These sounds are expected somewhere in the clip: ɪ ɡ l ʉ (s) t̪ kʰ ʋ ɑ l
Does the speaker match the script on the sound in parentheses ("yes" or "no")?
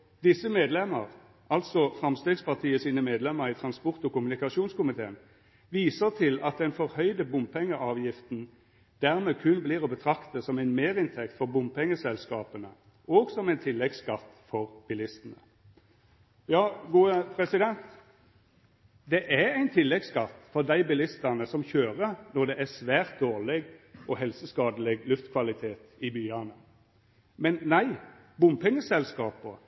no